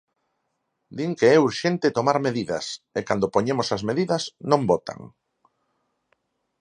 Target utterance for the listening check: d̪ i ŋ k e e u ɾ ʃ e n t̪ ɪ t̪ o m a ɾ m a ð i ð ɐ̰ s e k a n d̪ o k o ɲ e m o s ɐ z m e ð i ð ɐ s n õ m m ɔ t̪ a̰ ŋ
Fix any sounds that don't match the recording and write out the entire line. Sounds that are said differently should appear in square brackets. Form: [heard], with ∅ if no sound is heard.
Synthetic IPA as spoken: d̪ i ŋ k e [ɛ] u ɾ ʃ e n t̪ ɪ t̪ o m a ɾ m [e] ð i ð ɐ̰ s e k a n d̪ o [p] o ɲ e m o s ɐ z m e ð i ð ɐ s n õ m [b] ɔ t̪ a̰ ŋ